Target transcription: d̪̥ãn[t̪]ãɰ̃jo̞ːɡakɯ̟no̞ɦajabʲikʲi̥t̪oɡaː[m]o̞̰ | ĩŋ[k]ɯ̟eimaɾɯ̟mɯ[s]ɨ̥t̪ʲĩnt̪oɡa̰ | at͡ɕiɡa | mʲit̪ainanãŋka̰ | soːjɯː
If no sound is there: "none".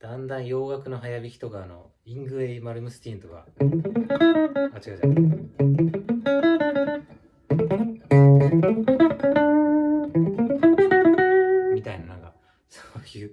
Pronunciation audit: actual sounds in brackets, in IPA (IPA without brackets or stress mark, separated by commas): d̪, n, ɡ, s